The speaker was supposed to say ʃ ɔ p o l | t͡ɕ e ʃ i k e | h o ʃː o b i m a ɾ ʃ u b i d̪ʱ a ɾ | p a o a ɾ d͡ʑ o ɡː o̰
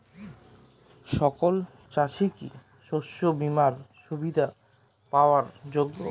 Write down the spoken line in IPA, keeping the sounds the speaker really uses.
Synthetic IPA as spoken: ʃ ɔ k o l | t͡ɕ a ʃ i k i | ʃ o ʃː o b i m a ɾ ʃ u b i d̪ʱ a | p a o a ɾ d͡ʑ o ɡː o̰